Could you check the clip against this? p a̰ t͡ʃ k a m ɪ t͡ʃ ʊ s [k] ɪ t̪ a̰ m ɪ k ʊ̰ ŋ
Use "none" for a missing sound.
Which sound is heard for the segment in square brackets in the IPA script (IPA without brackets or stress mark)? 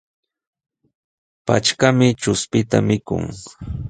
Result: p